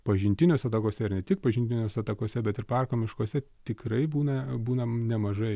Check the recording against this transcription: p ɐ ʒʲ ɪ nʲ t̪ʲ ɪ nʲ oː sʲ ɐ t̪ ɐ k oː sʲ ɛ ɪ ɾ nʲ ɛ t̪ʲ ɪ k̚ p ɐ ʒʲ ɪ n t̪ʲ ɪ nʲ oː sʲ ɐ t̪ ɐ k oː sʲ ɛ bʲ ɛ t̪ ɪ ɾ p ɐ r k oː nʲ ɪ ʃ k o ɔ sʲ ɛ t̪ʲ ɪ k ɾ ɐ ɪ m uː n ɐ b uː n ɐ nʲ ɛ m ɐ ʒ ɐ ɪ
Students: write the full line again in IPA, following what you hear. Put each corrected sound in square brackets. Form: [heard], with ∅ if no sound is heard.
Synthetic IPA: p ɐ ʒʲ ɪ nʲ t̪ʲ ɪ nʲ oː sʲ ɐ t̪ ɐ k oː sʲ ɛ ɪ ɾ nʲ ɛ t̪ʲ ɪ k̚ p ɐ ʒʲ ɪ n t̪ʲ ɪ nʲ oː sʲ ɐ t̪ ɐ k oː sʲ ɛ bʲ ɛ t̪ ɪ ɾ p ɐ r k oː [mʲ] ɪ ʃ k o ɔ sʲ ɛ t̪ʲ ɪ k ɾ ɐ ɪ [b] uː n ɐ b uː n ɐ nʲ ɛ m ɐ ʒ ɐ ɪ